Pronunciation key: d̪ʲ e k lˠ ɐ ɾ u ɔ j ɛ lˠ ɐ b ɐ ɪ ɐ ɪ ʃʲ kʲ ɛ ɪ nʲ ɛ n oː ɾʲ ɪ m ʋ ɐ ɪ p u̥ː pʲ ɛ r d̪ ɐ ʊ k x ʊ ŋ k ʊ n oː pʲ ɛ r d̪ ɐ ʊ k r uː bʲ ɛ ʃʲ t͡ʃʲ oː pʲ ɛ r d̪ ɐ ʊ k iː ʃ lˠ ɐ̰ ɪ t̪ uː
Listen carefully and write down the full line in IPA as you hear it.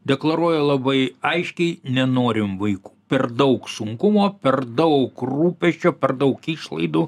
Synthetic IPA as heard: d̪ʲ ɛ k lˠ ɐ ɾ u ɔ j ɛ lˠ ɐ b ɐ ɪ ɐ ɪ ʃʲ kʲ ɛ ɪ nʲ ɛ n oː ɾʲ ɪ m ʋ ɐ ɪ k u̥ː pʲ ɛ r d̪ ɐ ʊ k s ʊ ŋ k ʊ m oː pʲ ɛ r d̪ ɐ ʊ k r uː pʲ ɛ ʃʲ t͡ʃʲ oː pʲ ɛ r d̪ ɐ ʊ k iː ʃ lˠ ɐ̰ ɪ d̪ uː

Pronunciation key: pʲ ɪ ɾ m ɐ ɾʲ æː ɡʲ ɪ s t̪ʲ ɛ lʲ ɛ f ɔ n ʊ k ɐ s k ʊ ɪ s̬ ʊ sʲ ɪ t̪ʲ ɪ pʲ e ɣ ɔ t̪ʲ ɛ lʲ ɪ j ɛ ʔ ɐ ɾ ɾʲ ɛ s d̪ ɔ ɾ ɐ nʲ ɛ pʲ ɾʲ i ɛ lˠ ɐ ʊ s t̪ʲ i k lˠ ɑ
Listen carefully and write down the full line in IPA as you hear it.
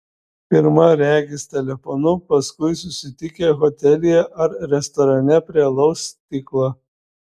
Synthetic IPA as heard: pʲ ɪ ɾ m ɐ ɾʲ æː ɡʲ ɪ s t̪ʲ ɛ lʲ ɛ f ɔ n ʊ p ɐ s k ʊ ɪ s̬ ʊ sʲ ɪ t̪ʲ ɪ kʲ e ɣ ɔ t̪ʲ ɛ lʲ ɪ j ɛ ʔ ɐ ɾ ɾʲ ɛ s t̪ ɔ ɾ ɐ nʲ ɛ pʲ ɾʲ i ɛ lˠ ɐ ʊ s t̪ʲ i k lˠ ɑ

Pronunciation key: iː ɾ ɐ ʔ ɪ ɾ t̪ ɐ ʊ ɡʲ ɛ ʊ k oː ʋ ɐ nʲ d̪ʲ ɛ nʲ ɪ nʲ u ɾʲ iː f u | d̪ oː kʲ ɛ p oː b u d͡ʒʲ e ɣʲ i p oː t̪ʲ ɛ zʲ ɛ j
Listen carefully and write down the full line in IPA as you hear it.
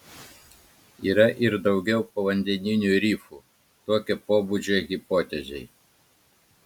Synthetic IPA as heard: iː ɾ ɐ ʔ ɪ ɾ d̪ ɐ ʊ ɡʲ ɛ ʊ p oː ʋ ɐ nʲ d̪ʲ ɛ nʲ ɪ nʲ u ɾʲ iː f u | t̪ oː kʲ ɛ p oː b u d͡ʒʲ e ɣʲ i p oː t̪ʲ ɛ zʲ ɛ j

